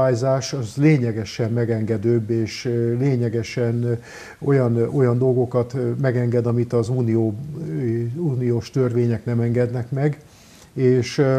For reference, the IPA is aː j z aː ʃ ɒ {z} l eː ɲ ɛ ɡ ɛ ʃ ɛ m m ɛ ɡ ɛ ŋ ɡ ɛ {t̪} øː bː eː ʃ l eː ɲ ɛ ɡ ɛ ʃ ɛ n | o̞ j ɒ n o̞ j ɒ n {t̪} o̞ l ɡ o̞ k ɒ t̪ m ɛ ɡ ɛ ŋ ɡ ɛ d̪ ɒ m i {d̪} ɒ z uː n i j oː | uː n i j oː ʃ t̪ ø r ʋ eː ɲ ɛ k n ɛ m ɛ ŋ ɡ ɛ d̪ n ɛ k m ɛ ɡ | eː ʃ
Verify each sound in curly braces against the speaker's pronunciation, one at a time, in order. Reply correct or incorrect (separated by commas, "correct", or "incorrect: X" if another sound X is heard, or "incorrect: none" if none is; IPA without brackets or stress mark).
correct, incorrect: d̪, incorrect: d̪, incorrect: t̪